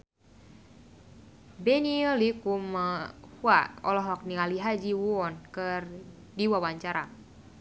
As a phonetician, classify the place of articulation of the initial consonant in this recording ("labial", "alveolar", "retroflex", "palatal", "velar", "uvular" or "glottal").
labial